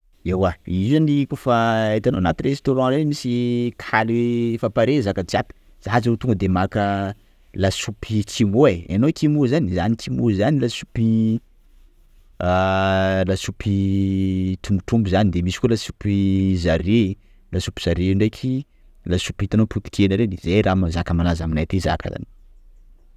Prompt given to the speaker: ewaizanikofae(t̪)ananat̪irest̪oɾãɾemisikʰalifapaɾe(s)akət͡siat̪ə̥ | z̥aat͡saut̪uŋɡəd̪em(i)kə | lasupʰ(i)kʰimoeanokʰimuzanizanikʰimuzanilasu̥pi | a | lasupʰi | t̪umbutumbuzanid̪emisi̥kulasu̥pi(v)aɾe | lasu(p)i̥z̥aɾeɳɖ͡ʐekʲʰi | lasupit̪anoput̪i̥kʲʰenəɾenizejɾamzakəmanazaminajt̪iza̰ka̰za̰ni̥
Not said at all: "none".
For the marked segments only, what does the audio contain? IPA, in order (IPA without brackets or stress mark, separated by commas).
t̪, z, a, i, z, p